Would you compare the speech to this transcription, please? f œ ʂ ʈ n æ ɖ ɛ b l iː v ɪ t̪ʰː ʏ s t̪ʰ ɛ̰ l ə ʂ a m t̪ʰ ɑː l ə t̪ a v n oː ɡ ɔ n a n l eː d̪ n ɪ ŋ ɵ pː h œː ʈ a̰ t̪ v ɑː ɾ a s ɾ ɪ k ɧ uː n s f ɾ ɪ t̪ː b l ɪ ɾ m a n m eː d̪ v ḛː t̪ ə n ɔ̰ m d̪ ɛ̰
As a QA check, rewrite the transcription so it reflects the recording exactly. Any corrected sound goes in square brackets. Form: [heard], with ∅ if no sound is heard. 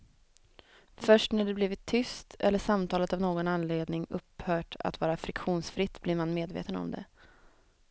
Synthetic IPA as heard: f œ ʂ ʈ n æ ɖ ɛ b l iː v ɪ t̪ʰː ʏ s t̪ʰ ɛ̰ [lː] ə ʂ a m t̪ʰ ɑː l ə t̪ a v n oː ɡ ɔ n a n l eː d̪ n ɪ ŋ ɵ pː h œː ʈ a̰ t̪ v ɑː ɾ a [f] ɾ ɪ k ɧ uː n s f ɾ ɪ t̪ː b l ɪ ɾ m a n m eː d̪ v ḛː t̪ ə n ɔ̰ m d̪ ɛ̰